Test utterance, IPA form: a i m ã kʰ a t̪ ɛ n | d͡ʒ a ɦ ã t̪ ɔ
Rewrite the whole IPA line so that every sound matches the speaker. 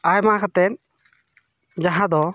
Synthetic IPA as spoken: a j m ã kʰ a t̪ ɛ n | d͡ʒ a ɦ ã d̪ ɔ